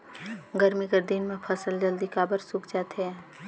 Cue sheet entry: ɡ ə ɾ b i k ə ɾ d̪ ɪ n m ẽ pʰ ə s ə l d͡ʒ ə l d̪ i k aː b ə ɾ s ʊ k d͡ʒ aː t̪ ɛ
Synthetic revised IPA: ɡ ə ɾ m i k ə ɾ d̪ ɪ n m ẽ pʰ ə s ə l d͡ʒ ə l d̪ i k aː b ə ɾ s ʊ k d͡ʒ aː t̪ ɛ